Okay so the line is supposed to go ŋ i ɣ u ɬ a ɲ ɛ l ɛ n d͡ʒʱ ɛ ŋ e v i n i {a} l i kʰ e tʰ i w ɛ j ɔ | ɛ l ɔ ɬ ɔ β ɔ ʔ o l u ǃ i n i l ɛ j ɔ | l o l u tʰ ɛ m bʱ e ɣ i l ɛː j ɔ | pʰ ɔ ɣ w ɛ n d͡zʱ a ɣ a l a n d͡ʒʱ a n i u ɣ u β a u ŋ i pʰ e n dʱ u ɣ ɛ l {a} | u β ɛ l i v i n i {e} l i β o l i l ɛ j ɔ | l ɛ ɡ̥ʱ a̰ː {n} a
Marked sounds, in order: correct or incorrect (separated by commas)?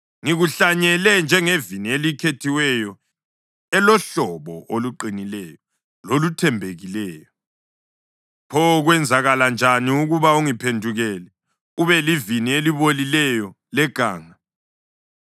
incorrect, incorrect, correct, incorrect